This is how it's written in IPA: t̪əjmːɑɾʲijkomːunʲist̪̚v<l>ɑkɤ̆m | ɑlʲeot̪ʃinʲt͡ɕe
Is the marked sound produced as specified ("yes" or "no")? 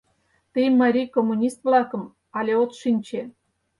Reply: yes